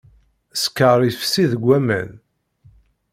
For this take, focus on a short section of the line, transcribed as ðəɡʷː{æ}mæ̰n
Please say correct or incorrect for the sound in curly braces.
correct